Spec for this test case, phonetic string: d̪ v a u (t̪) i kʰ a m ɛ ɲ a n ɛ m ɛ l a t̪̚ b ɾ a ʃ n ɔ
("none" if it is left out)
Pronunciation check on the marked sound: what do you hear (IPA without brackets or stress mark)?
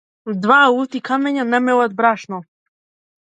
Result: t̪